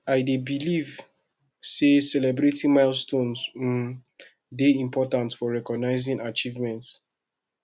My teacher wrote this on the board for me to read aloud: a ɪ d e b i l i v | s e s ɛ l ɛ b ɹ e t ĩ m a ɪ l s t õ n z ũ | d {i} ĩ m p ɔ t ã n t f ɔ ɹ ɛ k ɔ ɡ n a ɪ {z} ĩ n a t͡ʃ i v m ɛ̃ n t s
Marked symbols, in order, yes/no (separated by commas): no, yes